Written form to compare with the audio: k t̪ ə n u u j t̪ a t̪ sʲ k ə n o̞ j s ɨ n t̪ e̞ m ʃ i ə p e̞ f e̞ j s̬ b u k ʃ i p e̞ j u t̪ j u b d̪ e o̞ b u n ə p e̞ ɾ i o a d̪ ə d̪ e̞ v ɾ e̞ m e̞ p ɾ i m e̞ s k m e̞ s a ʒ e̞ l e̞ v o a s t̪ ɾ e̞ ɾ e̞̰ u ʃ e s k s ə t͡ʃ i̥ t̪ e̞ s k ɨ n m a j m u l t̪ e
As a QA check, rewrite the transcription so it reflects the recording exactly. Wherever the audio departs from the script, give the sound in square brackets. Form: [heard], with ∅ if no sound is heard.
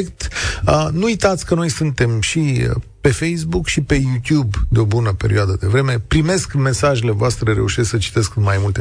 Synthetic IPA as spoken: k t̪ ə n u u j t̪ a t̪ sʲ k ə n o̞ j s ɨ n t̪ e̞ m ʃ i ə p e̞ f e̞ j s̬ b u k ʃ i p e̞ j u t̪ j u b d̪ e o̞ b u n ə p e̞ ɾ i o a d̪ ə d̪ e̞ v ɾ e̞ m e̞ p ɾ i m e̞ s k m e̞ s a ʒ e̞ l e̞ v o a s t̪ ɾ e̞ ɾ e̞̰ u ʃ e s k s ə t͡ʃ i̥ t̪ e̞ s k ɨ n m a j m u l t̪ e